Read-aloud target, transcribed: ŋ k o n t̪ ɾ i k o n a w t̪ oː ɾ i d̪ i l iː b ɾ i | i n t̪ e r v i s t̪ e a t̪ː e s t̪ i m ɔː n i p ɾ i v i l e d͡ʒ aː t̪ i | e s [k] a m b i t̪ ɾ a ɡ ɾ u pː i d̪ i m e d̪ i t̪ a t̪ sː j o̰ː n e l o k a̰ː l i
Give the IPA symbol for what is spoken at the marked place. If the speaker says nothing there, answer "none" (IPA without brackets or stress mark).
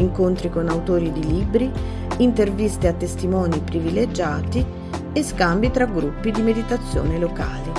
k